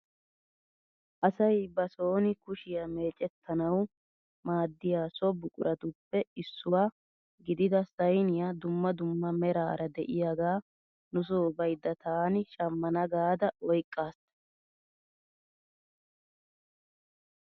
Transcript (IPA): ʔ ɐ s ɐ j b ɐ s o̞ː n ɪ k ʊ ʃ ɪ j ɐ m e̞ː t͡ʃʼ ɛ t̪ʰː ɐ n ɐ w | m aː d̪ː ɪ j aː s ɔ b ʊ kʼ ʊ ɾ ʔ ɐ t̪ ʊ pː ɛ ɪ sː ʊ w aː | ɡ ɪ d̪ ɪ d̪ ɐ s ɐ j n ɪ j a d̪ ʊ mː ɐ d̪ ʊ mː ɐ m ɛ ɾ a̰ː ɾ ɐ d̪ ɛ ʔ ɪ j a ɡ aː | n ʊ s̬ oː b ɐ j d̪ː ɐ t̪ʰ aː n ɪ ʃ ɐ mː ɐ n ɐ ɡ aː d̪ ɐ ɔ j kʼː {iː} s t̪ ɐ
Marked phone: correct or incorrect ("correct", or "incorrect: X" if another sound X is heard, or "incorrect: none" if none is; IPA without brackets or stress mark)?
incorrect: aː